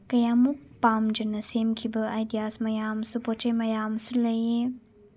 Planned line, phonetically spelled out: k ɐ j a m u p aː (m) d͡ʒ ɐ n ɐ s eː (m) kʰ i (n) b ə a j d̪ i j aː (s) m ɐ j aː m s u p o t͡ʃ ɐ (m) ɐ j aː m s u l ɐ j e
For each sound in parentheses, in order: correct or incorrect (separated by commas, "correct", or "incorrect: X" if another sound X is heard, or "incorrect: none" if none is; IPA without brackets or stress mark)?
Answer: correct, correct, incorrect: none, correct, correct